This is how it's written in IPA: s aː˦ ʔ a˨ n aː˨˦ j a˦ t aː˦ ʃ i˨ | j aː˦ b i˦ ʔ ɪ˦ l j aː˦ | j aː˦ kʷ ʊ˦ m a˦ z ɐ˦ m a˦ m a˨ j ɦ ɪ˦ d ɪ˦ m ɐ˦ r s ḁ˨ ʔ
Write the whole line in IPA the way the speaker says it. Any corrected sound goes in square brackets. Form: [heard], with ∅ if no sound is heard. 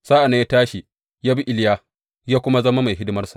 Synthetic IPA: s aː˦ ʔ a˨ n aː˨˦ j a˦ t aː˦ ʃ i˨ | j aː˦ b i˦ ʔ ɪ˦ l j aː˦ | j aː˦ kʷ ʊ˦ m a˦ z ɐ˦ m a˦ m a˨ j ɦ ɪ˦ d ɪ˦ m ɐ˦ r s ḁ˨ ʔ